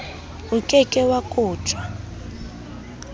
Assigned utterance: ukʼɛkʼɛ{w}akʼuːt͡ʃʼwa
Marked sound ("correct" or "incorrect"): correct